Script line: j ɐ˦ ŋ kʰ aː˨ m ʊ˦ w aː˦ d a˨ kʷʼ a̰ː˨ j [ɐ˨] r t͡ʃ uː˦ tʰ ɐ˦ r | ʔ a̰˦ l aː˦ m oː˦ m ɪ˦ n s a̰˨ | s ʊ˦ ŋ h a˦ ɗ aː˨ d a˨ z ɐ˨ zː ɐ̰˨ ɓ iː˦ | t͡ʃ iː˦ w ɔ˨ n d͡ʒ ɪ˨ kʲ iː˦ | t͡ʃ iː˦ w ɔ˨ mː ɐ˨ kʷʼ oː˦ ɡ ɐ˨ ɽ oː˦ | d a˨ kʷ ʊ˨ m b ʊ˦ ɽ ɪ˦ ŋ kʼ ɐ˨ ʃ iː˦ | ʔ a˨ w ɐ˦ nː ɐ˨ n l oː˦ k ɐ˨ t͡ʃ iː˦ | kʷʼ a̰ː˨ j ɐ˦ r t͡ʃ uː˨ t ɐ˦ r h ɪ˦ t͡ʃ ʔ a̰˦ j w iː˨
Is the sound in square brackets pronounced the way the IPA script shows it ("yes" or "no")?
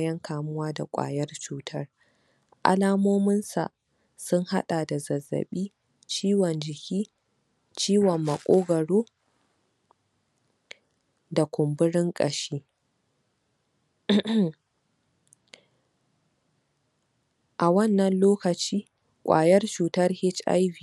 no